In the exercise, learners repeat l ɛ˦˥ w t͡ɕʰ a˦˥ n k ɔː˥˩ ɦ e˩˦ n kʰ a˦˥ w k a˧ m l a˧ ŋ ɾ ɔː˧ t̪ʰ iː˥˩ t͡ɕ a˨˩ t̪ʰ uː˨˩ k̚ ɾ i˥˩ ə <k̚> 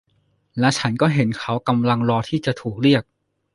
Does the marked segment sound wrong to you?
no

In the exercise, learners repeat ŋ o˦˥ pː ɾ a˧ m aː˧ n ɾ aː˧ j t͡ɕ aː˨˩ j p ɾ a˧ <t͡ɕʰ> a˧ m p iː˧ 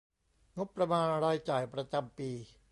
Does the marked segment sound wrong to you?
yes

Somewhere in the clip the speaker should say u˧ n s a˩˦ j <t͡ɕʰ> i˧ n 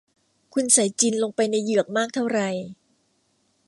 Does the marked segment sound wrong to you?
yes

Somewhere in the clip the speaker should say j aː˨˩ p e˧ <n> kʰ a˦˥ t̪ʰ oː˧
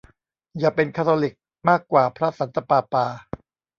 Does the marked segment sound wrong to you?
no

